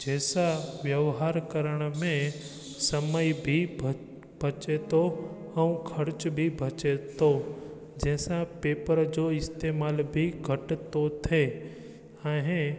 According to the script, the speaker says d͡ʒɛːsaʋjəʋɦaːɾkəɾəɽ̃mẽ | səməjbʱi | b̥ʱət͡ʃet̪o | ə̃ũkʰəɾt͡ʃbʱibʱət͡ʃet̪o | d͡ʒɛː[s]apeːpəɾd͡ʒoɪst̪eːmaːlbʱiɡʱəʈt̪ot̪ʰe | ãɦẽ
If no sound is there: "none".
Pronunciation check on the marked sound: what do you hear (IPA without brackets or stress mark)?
s